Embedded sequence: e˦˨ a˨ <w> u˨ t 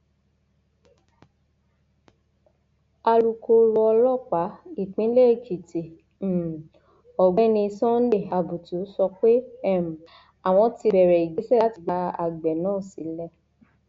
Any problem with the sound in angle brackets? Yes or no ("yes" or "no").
yes